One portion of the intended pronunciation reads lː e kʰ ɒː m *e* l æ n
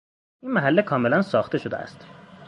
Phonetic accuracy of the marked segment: correct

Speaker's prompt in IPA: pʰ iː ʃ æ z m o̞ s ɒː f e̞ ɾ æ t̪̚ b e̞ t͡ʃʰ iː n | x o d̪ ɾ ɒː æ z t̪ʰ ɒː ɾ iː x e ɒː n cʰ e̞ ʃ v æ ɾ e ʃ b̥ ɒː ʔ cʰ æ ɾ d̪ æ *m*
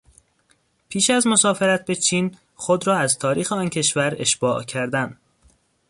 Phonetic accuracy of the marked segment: incorrect: n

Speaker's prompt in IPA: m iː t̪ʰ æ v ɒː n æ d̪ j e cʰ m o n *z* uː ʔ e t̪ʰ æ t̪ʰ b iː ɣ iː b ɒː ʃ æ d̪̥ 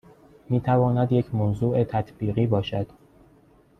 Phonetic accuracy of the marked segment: correct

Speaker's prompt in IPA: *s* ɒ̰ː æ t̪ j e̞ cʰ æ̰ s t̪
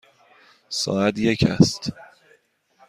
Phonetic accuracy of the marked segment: correct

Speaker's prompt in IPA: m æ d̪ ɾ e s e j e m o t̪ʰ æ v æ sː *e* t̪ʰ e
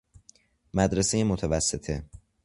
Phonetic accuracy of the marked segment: correct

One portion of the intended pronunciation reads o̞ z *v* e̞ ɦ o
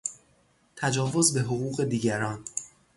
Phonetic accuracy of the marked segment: incorrect: b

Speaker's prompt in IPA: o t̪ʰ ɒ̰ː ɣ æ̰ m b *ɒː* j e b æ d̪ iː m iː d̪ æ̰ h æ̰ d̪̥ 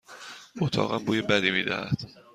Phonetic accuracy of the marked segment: incorrect: uː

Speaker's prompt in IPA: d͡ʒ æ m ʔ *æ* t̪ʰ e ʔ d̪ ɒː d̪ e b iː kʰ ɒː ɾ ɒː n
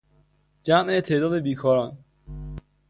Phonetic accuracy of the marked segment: incorrect: e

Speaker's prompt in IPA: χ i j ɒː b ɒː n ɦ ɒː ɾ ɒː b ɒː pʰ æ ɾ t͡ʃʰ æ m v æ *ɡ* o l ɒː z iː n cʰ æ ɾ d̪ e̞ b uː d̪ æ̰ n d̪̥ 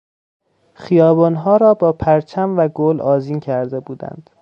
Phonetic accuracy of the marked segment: correct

